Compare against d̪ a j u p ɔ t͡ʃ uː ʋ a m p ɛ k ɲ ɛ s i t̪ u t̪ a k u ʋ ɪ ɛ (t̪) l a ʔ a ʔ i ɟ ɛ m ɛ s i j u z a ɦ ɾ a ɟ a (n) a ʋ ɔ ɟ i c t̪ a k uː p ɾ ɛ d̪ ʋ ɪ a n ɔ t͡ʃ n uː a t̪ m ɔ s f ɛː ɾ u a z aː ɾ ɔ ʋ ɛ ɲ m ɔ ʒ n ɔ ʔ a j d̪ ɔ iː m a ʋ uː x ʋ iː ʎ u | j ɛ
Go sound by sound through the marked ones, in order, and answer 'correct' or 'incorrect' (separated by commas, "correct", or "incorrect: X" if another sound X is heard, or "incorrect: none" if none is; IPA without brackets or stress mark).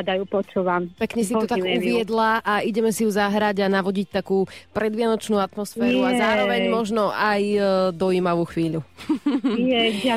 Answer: incorrect: d̪, correct